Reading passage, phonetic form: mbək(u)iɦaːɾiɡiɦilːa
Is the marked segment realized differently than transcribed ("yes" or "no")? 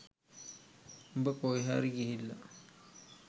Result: yes